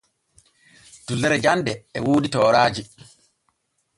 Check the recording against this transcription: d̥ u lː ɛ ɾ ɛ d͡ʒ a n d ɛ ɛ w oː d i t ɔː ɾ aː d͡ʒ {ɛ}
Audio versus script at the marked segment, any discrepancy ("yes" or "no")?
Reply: yes